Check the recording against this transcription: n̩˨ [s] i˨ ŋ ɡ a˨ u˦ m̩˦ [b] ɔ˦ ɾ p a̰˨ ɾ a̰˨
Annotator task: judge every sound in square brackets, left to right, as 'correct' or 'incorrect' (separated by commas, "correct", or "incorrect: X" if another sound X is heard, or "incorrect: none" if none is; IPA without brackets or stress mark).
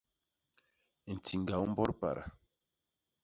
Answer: incorrect: t, correct